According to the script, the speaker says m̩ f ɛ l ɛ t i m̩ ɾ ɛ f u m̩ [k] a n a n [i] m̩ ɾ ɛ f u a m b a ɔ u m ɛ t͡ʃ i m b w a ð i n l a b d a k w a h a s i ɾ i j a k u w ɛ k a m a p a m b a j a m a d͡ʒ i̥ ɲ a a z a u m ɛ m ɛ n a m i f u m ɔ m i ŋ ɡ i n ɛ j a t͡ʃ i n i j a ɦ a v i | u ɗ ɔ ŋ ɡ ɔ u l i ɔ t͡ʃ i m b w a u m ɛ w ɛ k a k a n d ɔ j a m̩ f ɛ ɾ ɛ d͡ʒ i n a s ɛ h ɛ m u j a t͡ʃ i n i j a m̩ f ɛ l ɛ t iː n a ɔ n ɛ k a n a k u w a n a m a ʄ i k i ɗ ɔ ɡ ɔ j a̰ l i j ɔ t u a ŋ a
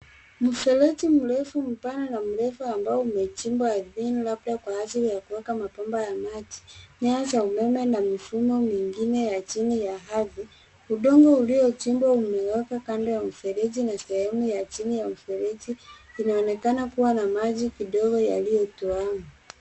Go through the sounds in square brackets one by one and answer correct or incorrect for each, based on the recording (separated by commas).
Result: incorrect, incorrect